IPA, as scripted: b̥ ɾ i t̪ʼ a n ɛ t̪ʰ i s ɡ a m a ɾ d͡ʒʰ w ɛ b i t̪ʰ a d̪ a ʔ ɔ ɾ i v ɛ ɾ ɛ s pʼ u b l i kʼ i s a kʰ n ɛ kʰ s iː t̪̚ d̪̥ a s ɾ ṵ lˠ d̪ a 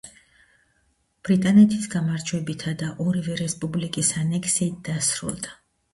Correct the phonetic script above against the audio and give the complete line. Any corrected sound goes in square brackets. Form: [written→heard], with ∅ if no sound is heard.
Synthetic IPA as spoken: b̥ ɾ i t̪ʼ a n ɛ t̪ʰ i s ɡ a m a ɾ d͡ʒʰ w ɛ b i t̪ʰ a d̪ a ʔ ɔ ɾ i v ɛ ɾ ɛ s pʼ u b l i kʼ i s a [kʰ→∅] n ɛ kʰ s iː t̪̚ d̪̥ a s ɾ ṵ lˠ d̪ a